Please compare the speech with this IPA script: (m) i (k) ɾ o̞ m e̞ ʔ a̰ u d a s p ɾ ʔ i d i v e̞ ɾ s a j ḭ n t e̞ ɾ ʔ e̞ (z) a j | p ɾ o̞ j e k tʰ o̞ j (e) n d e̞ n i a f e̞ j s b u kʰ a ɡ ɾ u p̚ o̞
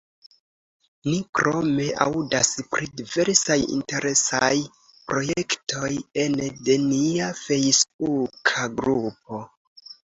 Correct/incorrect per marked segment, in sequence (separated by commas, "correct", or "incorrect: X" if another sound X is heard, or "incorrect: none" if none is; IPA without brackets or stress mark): incorrect: n, correct, incorrect: s, correct